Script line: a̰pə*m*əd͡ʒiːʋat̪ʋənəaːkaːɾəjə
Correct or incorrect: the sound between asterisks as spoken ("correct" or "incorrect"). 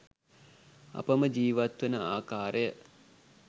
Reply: correct